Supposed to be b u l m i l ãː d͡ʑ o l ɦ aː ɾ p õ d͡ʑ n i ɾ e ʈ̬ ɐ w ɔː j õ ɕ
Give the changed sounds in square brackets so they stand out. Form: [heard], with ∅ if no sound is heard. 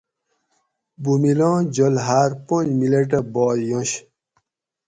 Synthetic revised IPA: b u [∅] m i l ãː d͡ʑ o l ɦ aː ɾ p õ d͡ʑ [m] i [l] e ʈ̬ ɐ [b] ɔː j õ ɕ